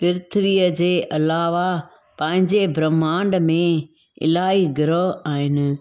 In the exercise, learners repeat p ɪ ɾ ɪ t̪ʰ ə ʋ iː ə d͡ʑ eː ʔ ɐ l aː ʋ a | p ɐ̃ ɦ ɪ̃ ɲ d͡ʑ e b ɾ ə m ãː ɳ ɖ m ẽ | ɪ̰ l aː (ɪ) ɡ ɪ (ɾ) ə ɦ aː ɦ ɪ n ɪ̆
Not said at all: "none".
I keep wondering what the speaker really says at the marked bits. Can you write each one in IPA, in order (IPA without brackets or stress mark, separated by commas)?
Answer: i, ɾ